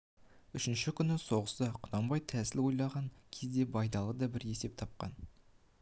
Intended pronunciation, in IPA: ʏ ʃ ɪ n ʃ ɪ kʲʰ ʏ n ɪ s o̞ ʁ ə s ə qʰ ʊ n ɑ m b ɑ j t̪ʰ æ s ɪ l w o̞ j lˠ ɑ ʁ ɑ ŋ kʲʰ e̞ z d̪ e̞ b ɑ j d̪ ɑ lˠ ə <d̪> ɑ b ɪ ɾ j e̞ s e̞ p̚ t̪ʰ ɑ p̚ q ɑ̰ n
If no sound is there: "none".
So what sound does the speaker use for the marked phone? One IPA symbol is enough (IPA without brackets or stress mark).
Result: d̪